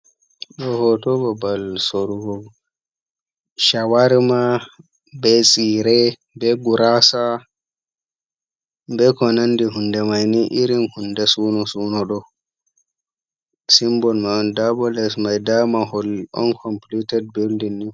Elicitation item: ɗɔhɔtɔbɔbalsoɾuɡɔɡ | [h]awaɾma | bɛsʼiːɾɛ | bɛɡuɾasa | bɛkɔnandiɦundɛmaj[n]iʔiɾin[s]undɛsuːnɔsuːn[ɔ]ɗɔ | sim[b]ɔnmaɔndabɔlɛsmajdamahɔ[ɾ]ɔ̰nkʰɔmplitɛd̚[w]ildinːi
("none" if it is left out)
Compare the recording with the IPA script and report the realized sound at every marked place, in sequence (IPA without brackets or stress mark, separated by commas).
ʃ, n, h, ɔ, b, l, b